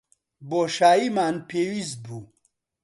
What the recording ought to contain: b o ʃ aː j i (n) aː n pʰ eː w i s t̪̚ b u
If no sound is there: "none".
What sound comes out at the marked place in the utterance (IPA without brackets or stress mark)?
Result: m